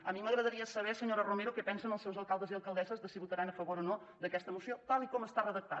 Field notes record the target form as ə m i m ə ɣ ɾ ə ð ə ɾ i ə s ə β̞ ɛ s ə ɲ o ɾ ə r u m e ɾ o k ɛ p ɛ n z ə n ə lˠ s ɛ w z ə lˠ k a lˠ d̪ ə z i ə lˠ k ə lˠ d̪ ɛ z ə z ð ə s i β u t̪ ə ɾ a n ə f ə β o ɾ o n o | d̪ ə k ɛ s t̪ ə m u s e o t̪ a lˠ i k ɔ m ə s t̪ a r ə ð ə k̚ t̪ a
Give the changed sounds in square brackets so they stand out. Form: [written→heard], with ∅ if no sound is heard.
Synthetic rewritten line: ə m i m ə ɣ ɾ ə ð ə ɾ i ə s ə β̞ ɛ s ə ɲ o ɾ ə r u m e ɾ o k ɛ p ɛ n [z→s] ə n ə lˠ s ɛ w z ə lˠ k a lˠ d̪ ə z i ə lˠ k ə lˠ d̪ ɛ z ə z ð ə s i β u t̪ ə ɾ a n ə f ə β o ɾ o n o | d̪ ə k ɛ s t̪ ə m u s [e→i] o t̪ a lˠ i k ɔ m ə s t̪ a r ə ð ə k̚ t̪ a